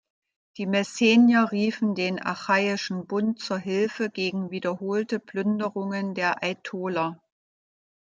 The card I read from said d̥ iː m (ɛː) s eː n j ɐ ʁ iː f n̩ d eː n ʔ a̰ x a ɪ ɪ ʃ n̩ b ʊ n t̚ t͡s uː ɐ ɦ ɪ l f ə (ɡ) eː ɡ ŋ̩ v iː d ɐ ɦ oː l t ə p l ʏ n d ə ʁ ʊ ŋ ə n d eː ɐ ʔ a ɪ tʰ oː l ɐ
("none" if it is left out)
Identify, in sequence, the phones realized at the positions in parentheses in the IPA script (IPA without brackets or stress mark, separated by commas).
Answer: ɛ, ɡ